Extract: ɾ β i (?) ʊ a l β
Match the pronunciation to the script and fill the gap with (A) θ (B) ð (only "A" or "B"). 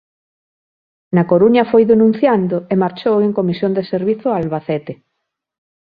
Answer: A